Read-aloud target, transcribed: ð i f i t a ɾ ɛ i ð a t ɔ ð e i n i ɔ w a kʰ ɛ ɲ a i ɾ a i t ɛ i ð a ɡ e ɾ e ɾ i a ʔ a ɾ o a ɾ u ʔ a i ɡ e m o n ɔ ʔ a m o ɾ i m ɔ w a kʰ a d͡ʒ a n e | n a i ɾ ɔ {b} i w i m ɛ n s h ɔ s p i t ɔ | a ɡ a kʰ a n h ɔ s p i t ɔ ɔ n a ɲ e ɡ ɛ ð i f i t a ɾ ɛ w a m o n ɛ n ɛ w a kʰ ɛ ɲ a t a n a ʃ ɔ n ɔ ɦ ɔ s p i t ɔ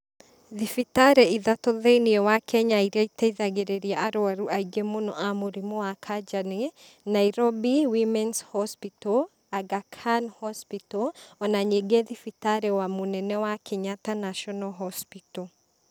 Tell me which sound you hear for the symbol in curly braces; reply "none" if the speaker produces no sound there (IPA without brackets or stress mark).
b